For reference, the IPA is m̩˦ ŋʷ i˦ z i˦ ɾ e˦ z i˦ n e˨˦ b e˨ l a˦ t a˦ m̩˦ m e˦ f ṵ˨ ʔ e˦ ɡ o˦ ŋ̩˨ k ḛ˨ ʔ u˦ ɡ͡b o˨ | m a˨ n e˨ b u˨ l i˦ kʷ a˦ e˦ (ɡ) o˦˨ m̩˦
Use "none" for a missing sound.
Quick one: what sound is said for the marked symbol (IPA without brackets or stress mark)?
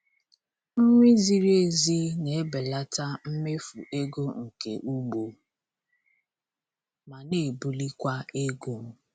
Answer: ɡ